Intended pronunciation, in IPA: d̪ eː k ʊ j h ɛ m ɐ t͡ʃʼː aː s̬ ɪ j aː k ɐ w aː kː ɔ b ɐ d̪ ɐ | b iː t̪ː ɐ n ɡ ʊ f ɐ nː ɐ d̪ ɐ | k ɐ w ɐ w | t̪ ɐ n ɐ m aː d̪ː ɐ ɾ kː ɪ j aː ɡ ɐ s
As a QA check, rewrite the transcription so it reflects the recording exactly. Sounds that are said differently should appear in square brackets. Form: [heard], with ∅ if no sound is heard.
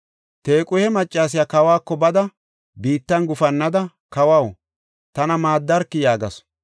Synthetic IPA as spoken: [t̪] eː [kʼ] ʊ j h ɛ m ɐ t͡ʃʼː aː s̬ ɪ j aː k ɐ w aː kː ɔ b ɐ d̪ ɐ | b iː t̪ː ɐ n ɡ ʊ f ɐ nː ɐ d̪ ɐ | k ɐ w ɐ w | t̪ ɐ n ɐ m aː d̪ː ɐ ɾ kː ɪ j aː ɡ ɐ s